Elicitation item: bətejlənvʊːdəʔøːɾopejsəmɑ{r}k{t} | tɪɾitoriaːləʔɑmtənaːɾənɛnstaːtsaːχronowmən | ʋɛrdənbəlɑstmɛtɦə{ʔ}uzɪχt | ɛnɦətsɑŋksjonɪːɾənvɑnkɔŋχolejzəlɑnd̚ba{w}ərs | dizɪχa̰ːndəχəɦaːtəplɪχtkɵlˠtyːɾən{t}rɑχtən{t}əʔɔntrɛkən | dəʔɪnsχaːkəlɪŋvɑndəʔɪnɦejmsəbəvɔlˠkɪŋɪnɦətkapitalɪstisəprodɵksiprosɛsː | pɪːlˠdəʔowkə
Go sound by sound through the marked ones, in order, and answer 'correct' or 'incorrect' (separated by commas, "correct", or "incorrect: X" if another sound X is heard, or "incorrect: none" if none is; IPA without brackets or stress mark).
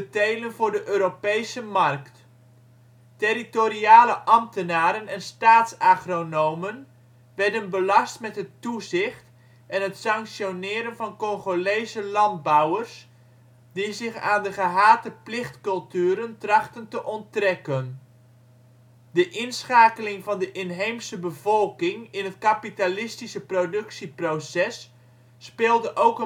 correct, correct, incorrect: t, correct, correct, correct